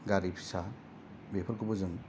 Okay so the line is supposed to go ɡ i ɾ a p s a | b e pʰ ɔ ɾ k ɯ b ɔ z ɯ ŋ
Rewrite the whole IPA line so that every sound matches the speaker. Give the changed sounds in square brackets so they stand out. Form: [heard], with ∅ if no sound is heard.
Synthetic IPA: ɡ [a] ɾ [i] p s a | b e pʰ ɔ ɾ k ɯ b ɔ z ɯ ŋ